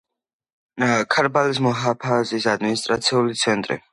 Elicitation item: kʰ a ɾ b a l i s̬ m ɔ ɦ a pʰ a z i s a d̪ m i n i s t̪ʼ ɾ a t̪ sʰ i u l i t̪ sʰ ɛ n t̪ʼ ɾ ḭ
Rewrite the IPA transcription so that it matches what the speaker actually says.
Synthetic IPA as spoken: kʰ a ɾ b a l i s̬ m ɔ ɦ a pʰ a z i s a d̪ m i n i s t̪ʼ ɾ a t̪ sʰ i u l i t̪ sʰ ɛ n t̪ʼ ɾ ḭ